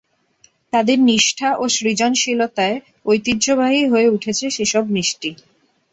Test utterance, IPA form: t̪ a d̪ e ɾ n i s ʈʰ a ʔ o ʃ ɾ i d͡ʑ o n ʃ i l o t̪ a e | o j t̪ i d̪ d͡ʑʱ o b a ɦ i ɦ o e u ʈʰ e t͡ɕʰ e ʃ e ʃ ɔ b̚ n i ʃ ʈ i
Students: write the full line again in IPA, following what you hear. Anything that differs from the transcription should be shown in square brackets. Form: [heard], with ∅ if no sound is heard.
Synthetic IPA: t̪ a d̪ e ɾ n i [ʃ] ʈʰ a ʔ o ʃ ɾ i d͡ʑ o n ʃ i l o t̪ a e | o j t̪ i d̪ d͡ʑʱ o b a ɦ i ɦ o e u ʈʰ e t͡ɕʰ e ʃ e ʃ ɔ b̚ n i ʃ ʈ i